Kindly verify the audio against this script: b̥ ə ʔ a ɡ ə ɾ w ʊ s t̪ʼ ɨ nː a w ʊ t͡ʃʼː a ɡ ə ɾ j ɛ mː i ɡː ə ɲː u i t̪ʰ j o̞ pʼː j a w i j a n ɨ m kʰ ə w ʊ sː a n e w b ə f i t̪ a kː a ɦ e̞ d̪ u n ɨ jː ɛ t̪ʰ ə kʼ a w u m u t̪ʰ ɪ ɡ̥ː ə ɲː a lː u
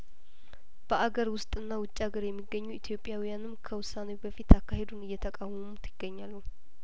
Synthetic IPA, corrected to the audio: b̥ ə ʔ a ɡ ə ɾ w ʊ s t̪ʼ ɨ nː a w ʊ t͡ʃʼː a ɡ ə ɾ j ɛ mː i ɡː ə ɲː u i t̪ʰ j o̞ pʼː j a w i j a n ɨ m kʰ ə w ʊ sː a n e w b ə f i t̪ a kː a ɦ e̞ d̪ u n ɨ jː ɛ t̪ʰ ə kʼ a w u m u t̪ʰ ɪ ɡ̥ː ə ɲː a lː u